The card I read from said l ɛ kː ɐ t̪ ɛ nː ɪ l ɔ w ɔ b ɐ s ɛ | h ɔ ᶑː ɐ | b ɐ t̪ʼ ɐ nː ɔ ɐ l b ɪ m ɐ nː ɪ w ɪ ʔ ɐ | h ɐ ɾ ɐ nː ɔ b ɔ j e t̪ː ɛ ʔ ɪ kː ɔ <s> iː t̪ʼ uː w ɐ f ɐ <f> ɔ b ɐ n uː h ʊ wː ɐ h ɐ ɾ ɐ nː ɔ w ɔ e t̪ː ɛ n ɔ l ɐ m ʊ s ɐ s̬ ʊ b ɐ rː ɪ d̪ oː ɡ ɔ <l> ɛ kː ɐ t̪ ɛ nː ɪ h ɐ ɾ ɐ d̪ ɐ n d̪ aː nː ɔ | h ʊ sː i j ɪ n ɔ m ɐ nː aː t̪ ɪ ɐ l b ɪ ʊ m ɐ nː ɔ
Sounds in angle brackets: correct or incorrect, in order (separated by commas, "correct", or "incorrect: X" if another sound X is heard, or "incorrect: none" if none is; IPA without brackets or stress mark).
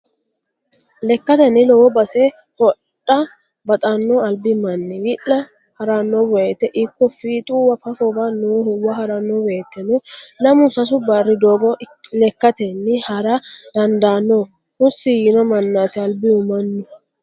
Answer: incorrect: f, correct, correct